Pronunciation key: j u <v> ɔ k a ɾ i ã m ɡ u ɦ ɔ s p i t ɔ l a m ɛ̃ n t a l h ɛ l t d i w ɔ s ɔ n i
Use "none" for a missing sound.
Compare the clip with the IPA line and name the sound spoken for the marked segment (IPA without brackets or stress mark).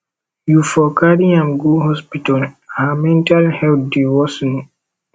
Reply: f